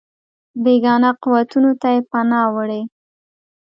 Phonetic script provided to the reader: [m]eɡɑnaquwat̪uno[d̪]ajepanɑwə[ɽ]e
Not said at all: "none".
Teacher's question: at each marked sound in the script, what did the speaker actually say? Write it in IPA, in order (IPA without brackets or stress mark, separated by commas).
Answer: b, t̪, ɽ